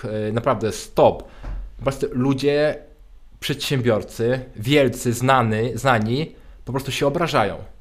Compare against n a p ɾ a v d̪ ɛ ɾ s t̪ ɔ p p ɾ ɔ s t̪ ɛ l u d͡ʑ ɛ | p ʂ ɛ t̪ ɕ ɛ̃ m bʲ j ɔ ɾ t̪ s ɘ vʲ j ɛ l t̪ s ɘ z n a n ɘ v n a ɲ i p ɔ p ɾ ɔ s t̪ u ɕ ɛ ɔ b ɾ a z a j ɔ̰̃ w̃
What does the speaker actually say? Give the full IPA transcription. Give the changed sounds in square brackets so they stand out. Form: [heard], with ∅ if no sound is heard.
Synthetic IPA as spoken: n a p ɾ a v d̪ ɛ [∅] s t̪ ɔ p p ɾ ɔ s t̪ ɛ l u d͡ʑ ɛ | p ʂ ɛ t̪ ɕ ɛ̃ m bʲ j ɔ ɾ t̪ s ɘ vʲ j ɛ l t̪ s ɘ z n a n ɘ [z] n a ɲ i p ɔ p ɾ ɔ s t̪ u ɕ ɛ ɔ b ɾ a [ʐ] a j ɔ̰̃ w̃